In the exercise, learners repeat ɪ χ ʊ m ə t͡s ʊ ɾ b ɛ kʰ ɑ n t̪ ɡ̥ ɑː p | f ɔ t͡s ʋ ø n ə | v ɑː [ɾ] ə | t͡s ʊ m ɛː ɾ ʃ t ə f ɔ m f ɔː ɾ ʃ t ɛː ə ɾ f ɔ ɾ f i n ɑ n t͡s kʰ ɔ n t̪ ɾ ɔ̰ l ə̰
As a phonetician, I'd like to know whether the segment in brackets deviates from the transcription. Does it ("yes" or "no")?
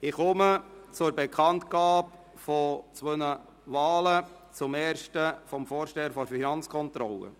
yes